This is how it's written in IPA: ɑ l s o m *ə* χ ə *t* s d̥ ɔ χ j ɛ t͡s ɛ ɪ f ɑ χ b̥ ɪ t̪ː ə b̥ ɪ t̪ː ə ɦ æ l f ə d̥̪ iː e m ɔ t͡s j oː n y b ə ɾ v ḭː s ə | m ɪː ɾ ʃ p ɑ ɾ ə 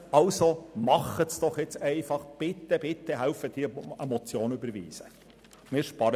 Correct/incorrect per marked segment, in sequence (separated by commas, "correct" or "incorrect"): incorrect, correct